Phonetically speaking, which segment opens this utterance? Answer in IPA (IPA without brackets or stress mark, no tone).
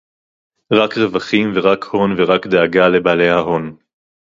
ʁ